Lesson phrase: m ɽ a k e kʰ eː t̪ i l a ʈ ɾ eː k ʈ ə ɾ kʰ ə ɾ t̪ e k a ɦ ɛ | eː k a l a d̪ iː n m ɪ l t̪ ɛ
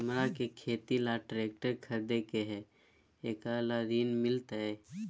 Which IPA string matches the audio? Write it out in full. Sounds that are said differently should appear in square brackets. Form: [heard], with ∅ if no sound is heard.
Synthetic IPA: m [ɾ] a k e kʰ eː t̪ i l a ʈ ɾ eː k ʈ ə ɾ kʰ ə ɾ [d̪] e k [e] ɦ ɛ | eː k a l a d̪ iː n m ɪ l t̪ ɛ